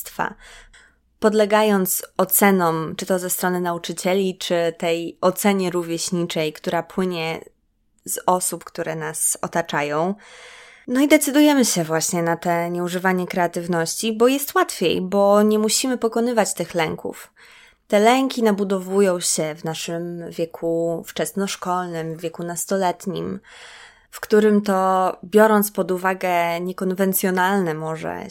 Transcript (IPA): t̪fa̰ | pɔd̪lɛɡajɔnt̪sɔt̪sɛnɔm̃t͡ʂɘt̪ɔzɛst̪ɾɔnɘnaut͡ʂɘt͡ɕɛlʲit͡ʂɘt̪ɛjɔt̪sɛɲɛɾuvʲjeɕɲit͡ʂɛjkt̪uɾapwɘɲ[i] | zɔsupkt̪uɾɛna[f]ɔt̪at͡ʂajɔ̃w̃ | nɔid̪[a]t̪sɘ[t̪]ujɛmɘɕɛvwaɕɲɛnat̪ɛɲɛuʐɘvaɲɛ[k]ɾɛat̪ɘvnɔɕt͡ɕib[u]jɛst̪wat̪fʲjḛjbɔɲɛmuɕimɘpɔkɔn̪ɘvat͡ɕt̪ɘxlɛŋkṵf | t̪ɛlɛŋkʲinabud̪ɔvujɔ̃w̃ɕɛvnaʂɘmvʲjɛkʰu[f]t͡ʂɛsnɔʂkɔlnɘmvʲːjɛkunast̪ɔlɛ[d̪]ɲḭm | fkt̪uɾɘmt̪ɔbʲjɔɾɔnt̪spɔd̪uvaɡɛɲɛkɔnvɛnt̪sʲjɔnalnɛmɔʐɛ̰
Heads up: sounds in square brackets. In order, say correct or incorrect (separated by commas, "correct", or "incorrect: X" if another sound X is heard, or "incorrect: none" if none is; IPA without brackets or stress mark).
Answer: incorrect: ɛ, incorrect: s, incorrect: ɛ, incorrect: d̪, correct, incorrect: ɔ, correct, incorrect: t̪